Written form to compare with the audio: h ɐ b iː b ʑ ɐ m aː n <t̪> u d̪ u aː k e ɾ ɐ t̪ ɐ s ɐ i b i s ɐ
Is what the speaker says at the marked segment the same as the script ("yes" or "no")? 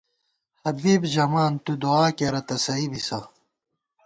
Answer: yes